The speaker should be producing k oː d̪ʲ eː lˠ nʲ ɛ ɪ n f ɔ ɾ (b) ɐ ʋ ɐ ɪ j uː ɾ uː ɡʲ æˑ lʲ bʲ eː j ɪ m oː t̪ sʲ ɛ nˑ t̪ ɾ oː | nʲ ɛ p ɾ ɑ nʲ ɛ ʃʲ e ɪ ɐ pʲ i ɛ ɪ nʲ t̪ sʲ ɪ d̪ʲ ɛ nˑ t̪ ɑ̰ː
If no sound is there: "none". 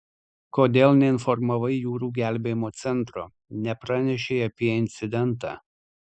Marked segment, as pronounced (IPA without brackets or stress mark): m